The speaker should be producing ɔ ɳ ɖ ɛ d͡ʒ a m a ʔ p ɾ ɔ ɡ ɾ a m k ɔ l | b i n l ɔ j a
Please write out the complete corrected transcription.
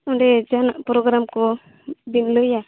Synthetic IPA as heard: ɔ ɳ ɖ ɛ d͡ʒ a n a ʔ p ɾ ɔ ɡ ɾ a m k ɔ | b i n l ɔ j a